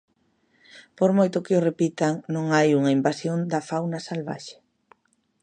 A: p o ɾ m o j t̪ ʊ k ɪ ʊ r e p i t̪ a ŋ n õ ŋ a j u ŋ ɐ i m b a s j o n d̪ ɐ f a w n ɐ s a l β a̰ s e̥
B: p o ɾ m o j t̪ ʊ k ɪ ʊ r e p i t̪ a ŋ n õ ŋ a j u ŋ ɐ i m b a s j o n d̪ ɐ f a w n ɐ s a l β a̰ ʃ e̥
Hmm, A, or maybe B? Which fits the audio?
B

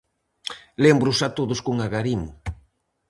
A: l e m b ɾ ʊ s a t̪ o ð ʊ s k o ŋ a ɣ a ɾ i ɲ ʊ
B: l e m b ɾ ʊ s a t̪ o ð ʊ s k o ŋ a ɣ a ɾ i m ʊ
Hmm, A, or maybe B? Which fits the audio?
B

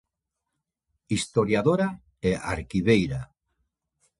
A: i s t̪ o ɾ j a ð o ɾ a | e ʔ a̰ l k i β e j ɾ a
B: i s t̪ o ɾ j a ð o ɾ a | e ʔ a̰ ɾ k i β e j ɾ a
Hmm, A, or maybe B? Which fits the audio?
B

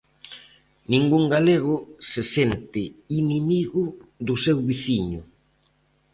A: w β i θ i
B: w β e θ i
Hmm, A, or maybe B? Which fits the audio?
A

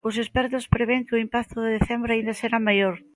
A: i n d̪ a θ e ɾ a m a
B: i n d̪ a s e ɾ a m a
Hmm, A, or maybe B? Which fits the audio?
B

